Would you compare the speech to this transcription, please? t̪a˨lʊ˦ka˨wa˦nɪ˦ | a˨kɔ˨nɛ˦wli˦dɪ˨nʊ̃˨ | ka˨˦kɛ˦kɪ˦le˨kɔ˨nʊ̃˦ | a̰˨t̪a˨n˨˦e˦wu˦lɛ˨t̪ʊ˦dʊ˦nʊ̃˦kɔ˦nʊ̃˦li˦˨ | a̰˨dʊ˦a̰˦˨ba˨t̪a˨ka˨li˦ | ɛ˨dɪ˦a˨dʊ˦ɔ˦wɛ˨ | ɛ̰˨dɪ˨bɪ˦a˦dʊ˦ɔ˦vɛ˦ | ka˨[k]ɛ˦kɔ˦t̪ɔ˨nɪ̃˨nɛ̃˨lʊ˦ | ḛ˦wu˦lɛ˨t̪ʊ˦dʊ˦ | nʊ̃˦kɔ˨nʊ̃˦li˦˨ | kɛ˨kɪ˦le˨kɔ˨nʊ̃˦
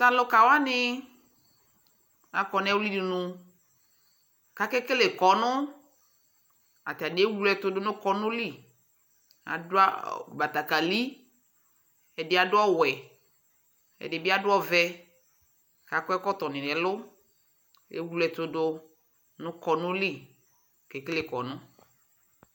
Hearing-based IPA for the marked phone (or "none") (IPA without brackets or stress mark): k